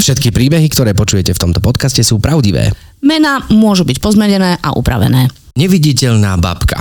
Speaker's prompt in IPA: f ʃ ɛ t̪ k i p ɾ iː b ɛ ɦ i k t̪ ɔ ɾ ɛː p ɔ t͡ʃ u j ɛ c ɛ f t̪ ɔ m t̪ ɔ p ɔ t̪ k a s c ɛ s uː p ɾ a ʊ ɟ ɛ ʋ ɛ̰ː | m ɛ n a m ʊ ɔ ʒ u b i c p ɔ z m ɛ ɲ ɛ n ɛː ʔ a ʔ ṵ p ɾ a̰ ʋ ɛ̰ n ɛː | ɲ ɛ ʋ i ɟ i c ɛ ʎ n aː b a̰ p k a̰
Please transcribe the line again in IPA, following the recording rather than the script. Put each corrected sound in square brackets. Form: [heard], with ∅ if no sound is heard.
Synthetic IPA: f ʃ ɛ t̪ k i p ɾ iː b ɛ ɦ i k t̪ ɔ ɾ ɛː p ɔ t͡ʃ u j ɛ c ɛ f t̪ ɔ m t̪ ɔ p ɔ t̪ k a s c ɛ s uː p ɾ a ʊ ɟ [i] ʋ ɛ̰ː | m ɛ n a m ʊ ɔ ʒ u b i c p ɔ z m ɛ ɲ ɛ n ɛː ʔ a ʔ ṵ p ɾ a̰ ʋ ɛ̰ n ɛː | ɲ ɛ ʋ i ɟ i c ɛ ʎ n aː b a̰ p k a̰